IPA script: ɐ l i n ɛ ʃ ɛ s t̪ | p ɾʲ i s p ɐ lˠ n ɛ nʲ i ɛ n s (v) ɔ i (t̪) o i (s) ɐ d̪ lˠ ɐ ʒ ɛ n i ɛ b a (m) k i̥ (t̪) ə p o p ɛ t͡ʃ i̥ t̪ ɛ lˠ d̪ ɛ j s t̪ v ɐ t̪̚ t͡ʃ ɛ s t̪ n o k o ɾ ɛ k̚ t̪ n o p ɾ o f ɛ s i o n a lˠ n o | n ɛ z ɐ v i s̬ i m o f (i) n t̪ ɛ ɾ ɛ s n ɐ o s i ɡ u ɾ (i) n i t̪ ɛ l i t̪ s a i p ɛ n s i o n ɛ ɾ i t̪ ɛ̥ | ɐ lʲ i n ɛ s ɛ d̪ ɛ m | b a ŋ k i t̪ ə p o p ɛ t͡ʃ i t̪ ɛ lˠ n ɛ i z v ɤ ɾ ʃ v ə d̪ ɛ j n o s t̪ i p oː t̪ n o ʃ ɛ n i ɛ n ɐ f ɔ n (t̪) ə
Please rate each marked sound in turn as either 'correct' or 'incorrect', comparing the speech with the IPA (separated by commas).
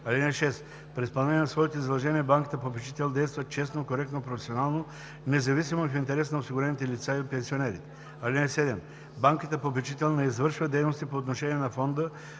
correct, correct, incorrect, incorrect, correct, correct, incorrect, incorrect